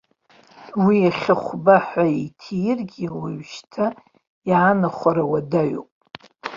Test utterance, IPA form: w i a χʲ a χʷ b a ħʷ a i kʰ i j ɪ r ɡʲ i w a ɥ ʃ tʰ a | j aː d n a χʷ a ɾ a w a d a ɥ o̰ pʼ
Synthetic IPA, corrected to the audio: w i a χʲ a χʷ b a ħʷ a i tʰ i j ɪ r ɡʲ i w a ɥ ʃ tʰ a | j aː n a χʷ a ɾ a w a d a ɥ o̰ pʼ